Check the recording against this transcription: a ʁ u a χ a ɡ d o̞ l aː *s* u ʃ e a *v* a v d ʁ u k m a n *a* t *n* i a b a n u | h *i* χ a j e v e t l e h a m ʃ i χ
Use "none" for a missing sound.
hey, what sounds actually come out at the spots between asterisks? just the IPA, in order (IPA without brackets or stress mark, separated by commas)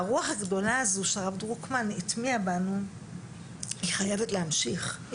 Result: z, ʁ, i, m, i